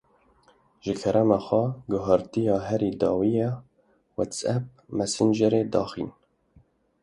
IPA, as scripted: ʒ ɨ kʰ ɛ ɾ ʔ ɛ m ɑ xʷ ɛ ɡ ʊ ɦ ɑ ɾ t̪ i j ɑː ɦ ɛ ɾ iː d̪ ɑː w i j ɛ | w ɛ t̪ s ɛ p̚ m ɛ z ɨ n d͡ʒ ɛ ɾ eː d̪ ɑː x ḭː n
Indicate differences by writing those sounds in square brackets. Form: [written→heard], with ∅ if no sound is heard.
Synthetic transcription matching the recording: ʒ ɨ kʰ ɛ ɾ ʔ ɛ m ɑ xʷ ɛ ɡ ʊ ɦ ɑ ɾ t̪ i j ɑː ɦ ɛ ɾ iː d̪ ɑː w i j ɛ | w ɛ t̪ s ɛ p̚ m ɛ [z→s] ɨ n d͡ʒ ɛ ɾ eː d̪ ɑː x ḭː n